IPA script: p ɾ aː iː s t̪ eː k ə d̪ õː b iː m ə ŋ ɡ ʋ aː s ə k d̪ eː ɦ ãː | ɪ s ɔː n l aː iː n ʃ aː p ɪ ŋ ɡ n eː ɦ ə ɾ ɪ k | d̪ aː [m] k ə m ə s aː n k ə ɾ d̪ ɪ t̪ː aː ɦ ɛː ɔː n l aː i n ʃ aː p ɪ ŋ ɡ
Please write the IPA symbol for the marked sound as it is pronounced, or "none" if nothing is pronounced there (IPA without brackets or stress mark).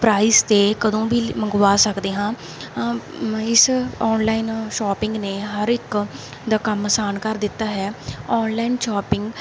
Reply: none